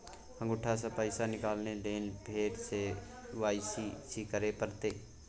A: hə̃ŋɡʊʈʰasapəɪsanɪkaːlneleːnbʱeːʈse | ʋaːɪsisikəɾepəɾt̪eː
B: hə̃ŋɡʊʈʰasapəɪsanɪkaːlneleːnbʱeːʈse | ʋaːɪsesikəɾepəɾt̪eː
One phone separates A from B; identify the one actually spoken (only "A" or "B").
A